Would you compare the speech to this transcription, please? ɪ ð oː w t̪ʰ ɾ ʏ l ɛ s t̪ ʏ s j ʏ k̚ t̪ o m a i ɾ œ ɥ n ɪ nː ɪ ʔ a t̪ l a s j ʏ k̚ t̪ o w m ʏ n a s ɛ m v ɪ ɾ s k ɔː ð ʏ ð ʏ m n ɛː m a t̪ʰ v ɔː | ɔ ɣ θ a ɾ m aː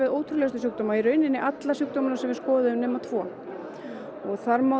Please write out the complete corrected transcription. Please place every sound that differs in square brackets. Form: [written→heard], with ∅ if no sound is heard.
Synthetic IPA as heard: ɪ ð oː w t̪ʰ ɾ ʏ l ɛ s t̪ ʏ s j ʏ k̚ t̪ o m a i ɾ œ ɥ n ɪ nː ɪ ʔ a t̪ l a s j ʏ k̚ t̪ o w m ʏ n a s ɛ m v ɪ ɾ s k ɔː ð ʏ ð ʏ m n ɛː m a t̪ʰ v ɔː | ɔ ɣ θ a ɾ m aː